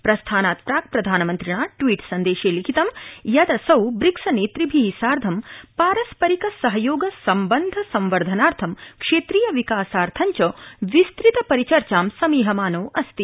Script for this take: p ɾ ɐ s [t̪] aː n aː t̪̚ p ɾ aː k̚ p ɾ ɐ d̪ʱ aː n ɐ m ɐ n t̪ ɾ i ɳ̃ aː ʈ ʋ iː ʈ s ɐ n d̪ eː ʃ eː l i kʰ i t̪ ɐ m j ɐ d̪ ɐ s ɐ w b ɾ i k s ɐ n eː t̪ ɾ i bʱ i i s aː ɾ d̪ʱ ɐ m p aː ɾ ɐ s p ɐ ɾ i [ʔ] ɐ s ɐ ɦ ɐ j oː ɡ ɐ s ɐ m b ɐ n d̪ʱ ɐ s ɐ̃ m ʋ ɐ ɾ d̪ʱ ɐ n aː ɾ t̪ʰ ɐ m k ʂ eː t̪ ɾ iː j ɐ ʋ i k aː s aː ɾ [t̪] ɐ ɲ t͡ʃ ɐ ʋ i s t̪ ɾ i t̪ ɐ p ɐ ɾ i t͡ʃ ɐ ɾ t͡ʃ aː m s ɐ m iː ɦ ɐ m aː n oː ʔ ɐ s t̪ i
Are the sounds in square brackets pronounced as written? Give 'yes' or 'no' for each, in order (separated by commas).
no, no, no